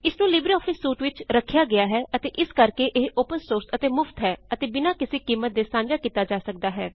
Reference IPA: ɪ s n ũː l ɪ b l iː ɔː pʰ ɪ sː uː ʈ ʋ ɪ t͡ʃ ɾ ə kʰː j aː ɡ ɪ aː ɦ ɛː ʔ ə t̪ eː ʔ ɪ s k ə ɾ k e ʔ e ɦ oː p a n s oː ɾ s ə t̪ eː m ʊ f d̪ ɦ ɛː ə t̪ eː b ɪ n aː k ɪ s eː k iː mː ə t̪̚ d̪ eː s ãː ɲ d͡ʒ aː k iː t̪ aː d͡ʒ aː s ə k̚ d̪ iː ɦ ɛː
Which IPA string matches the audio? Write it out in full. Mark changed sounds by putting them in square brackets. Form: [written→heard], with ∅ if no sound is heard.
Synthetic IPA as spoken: ɪ s n ũː l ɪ b [l→ɾ] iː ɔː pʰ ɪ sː uː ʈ ʋ ɪ t͡ʃ ɾ ə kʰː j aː ɡ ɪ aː ɦ ɛː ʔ ə t̪ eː ʔ ɪ s k ə ɾ k e ʔ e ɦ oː p [a→ə] n s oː ɾ s ə t̪ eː m ʊ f [d̪→t̪] ɦ ɛː ə t̪ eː b ɪ n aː k ɪ s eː k iː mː ə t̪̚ d̪ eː s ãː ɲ d͡ʒ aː k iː t̪ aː d͡ʒ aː s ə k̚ d̪ [iː→aː] ɦ ɛː